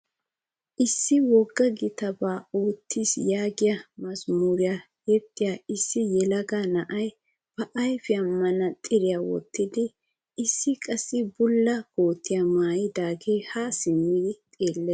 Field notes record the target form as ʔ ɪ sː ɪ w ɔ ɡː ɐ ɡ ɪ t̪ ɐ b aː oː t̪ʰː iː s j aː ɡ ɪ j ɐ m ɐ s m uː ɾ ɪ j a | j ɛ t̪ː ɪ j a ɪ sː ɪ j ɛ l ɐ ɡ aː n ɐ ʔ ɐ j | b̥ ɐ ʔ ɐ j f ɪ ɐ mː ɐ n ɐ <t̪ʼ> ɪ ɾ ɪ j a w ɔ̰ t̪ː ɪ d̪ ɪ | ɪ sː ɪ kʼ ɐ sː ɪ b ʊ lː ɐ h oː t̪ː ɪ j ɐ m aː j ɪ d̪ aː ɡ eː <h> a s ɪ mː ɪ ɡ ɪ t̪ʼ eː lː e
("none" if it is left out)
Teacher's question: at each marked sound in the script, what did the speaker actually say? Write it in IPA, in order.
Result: t̪ʼ, h

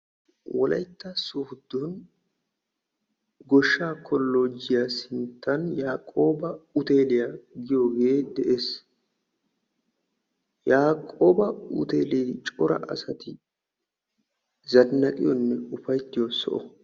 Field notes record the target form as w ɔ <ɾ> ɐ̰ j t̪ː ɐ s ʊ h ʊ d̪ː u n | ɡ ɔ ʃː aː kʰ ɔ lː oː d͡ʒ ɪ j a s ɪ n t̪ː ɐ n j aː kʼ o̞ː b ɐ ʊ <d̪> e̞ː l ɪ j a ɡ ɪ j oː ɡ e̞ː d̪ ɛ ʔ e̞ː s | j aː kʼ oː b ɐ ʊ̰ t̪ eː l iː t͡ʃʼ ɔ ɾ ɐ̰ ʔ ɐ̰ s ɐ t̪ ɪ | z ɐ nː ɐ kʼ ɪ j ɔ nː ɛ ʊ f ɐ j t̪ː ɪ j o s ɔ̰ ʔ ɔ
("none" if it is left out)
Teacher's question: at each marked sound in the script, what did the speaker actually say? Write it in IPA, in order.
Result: l, t̪

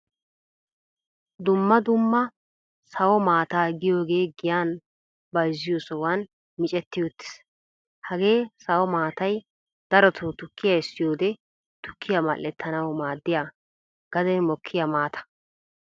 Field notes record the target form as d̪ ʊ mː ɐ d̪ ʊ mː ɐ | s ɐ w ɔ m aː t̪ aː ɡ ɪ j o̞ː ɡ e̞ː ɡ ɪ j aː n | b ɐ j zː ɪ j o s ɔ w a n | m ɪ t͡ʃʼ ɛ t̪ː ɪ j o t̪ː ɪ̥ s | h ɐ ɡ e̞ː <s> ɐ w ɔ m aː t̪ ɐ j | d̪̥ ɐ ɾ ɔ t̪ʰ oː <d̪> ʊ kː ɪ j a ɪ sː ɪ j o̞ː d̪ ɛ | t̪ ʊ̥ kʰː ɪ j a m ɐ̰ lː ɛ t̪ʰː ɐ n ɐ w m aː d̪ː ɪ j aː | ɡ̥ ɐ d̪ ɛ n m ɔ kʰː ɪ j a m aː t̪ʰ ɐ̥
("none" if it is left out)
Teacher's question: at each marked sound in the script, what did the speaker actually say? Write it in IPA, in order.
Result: s, t̪

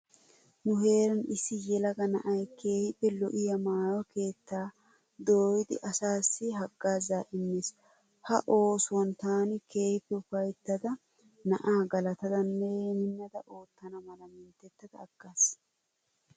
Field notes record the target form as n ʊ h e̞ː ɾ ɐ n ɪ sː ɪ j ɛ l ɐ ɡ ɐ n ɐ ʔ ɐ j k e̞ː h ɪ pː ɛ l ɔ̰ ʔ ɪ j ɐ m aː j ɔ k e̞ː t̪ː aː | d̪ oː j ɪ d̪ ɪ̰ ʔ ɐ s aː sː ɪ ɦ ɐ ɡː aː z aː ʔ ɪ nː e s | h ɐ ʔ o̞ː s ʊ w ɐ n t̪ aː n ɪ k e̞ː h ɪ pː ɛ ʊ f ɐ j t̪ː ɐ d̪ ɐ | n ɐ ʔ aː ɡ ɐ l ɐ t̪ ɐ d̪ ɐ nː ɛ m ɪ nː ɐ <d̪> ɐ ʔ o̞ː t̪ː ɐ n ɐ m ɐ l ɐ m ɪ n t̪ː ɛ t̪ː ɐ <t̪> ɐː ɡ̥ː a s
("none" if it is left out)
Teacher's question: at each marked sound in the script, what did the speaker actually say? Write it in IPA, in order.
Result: d̪, d̪

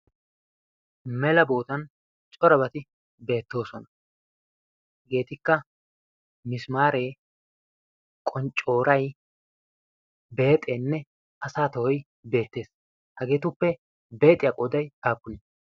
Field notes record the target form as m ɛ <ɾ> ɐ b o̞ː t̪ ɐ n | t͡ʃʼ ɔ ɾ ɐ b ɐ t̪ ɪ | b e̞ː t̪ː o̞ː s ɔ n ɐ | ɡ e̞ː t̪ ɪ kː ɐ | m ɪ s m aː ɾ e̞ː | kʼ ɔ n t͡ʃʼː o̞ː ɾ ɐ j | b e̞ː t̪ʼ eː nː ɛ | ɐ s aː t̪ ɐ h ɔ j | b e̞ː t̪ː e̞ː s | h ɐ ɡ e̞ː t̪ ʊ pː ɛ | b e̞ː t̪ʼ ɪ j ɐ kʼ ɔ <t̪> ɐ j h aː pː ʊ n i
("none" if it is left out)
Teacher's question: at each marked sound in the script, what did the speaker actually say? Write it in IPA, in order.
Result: l, d̪

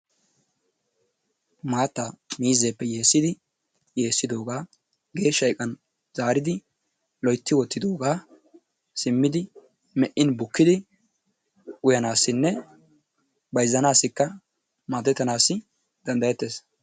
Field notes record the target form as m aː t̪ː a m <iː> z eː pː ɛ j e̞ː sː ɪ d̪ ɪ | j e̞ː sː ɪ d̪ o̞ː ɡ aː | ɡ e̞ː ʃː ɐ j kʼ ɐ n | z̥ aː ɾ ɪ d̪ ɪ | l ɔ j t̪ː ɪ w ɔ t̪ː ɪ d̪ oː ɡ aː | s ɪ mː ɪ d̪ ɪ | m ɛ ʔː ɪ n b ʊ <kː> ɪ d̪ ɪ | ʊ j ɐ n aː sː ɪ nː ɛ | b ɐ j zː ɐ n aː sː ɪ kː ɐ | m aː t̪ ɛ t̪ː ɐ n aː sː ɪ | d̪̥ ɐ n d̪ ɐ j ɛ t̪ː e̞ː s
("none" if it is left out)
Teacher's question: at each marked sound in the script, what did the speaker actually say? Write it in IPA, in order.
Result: iː, kː

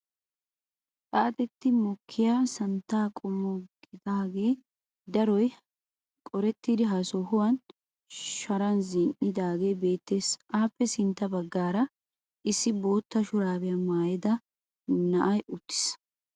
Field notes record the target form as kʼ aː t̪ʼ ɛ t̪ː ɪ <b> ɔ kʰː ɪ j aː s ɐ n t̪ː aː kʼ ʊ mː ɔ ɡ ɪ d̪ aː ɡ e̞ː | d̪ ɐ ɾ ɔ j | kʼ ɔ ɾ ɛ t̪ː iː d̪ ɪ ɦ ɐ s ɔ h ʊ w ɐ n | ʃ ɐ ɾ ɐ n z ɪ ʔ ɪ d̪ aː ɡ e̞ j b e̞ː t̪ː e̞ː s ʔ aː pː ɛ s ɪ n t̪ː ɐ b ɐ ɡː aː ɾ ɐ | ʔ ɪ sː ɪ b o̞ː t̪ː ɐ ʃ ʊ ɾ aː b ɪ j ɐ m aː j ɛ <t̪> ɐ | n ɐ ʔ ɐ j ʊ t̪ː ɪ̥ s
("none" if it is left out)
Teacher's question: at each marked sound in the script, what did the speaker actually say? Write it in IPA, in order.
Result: m, d̪

